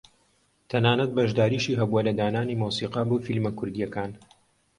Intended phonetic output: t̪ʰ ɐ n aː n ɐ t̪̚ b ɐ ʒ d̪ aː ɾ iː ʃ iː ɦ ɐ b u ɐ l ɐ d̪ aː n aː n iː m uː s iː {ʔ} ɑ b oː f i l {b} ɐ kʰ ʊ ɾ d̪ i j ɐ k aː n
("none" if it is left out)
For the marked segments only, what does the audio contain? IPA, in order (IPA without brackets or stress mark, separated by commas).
q, m